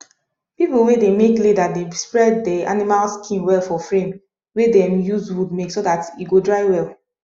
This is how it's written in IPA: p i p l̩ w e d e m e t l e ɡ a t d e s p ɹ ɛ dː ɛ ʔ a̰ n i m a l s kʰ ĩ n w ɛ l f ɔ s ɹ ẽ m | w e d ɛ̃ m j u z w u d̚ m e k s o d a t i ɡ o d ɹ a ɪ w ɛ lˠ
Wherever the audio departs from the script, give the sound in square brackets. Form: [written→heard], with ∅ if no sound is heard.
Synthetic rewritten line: p i p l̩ w e d e m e [t→k] l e [ɡ→d] a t d e s p ɹ ɛ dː ɛ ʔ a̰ n i m a l s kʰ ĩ n w ɛ l f ɔ [s→f] ɹ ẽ m | w e d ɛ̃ m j u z w u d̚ m e k s o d a t i ɡ o d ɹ a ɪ w ɛ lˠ